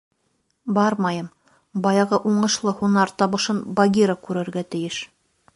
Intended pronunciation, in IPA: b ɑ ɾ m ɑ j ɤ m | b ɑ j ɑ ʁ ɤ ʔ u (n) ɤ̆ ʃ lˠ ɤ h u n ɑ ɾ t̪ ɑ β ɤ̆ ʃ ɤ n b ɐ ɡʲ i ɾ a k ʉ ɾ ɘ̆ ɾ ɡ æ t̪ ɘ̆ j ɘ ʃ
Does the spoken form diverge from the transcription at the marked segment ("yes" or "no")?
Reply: yes